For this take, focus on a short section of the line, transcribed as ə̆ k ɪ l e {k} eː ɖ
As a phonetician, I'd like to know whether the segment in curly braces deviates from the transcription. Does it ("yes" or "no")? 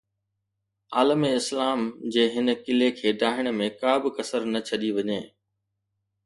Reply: yes